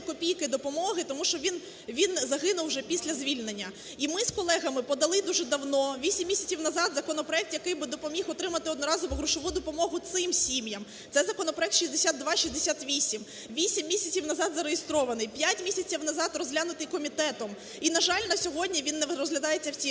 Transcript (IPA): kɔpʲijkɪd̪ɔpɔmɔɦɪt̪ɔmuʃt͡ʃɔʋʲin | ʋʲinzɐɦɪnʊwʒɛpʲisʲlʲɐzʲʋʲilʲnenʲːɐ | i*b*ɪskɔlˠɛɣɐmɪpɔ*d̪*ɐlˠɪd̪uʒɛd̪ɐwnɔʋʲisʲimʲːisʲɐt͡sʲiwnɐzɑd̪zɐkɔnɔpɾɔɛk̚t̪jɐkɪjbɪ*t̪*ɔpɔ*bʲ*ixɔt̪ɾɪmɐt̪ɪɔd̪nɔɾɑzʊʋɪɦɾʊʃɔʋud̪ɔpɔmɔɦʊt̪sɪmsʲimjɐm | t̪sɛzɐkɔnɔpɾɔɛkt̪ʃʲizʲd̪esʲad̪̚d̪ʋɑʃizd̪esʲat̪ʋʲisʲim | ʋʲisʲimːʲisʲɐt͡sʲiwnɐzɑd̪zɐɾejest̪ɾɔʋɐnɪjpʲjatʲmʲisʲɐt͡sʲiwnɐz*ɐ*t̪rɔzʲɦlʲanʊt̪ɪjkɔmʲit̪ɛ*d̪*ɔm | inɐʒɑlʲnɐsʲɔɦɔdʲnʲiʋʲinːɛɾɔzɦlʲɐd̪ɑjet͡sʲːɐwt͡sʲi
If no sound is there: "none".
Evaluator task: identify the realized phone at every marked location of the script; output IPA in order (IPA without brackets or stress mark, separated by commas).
m, d̪, d̪, mʲ, ɑ, t̪